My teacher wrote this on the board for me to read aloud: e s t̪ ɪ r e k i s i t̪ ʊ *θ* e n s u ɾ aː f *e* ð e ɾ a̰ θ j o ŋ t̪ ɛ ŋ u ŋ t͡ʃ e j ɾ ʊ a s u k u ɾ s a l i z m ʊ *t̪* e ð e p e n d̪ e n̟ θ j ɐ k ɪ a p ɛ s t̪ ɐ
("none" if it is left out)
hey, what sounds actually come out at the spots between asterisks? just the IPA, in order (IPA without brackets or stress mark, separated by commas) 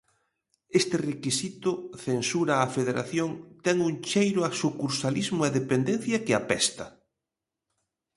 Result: θ, e, none